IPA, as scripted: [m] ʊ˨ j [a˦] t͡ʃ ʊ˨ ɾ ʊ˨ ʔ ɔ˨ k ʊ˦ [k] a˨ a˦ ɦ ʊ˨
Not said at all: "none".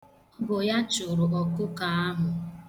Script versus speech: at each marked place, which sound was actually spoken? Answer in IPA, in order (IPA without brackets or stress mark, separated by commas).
b, a˦, k